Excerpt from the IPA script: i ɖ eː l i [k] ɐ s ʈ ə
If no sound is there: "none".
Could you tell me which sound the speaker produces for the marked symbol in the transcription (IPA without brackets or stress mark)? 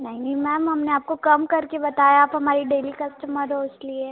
k